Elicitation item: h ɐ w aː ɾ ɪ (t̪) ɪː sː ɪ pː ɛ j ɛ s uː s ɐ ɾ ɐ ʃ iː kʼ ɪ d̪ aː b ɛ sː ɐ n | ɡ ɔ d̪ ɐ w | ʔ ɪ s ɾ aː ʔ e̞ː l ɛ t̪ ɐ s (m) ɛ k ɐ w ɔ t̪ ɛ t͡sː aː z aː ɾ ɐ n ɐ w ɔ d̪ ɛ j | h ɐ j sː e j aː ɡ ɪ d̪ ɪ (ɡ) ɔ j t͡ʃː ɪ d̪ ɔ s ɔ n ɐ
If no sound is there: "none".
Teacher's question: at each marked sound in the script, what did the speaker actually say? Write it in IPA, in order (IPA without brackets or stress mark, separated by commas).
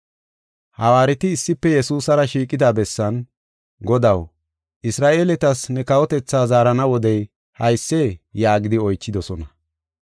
t̪, n, none